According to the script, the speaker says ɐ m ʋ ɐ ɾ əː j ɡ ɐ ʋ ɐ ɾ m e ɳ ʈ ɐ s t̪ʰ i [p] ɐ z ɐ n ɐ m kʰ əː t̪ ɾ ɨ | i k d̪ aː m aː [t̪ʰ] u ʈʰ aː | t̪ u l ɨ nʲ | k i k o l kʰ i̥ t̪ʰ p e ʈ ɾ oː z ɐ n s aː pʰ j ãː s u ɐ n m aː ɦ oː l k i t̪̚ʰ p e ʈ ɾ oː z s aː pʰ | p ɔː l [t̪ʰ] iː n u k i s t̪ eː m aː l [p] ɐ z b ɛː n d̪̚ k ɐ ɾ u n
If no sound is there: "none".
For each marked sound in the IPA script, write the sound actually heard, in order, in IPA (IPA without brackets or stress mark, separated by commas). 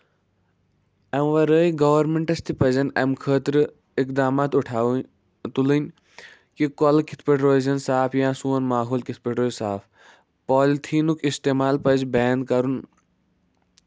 p, t̪, t̪ʰ, p